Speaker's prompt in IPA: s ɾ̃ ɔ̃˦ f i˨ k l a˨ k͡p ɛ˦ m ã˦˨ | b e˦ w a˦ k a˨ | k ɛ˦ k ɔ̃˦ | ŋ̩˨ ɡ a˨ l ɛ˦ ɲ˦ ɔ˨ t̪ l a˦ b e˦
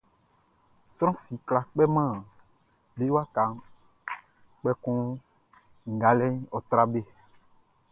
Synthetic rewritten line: s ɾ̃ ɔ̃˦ f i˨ k l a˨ k͡p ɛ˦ m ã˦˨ | b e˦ w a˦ k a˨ | k͡p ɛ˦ k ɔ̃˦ | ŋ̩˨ ɡ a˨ l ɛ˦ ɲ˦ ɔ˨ t̪ ɾ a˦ b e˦